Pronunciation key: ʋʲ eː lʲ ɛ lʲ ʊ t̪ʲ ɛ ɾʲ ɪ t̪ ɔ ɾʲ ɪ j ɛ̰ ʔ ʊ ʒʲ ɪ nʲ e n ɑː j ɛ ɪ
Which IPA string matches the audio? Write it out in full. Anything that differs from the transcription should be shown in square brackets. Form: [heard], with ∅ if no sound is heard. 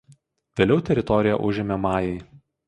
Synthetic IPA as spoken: ʋʲ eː lʲ ɛ [∅] ʊ t̪ʲ ɛ ɾʲ ɪ t̪ ɔ ɾʲ ɪ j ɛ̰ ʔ ʊ ʒʲ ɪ [mʲ] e [m] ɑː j ɛ ɪ